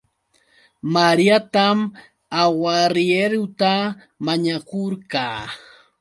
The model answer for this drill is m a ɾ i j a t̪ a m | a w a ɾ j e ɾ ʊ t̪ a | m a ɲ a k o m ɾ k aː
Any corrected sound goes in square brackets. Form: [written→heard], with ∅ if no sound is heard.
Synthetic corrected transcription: m a ɾ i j a t̪ a m | a w a ɾ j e ɾ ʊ t̪ a | m a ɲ a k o [m→∅] ɾ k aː